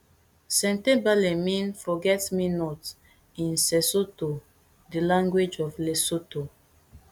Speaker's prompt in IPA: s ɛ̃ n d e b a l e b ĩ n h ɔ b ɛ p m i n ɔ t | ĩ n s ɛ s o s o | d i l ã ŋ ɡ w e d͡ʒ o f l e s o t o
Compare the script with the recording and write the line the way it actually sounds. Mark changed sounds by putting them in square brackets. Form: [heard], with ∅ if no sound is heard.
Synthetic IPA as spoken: s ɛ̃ n [t] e b a l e [m] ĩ n [f] ɔ [ɡ] ɛ [t] m i n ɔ t | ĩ n s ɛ s o [t] o | d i l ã ŋ ɡ w e d͡ʒ [ɔ] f l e s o t o